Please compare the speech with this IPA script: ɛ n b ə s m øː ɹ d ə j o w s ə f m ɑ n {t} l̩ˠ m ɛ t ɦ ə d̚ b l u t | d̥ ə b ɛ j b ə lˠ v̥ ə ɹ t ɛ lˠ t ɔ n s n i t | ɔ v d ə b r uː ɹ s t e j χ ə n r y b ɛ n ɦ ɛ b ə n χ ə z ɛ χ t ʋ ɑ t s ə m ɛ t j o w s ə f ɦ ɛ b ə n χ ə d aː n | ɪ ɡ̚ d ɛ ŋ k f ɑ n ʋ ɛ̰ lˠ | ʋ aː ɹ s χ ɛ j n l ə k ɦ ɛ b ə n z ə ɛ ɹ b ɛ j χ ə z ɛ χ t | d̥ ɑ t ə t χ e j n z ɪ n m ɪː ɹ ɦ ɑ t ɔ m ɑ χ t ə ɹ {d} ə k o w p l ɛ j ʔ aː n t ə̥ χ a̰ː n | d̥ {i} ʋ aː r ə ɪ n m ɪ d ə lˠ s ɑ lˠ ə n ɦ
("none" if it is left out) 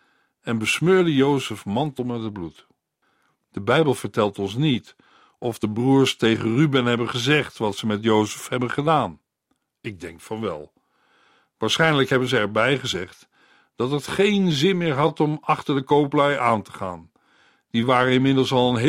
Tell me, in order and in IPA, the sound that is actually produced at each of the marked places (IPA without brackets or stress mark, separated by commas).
t, d, i